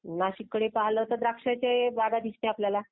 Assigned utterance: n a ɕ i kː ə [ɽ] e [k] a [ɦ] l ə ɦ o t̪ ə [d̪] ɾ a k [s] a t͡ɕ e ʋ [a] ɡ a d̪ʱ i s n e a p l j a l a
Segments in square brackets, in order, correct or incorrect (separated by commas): correct, incorrect, correct, correct, incorrect, correct